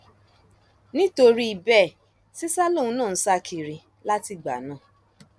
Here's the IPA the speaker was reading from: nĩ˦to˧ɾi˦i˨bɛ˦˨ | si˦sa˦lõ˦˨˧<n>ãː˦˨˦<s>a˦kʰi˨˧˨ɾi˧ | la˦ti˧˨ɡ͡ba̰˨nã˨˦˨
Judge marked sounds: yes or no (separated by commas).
yes, yes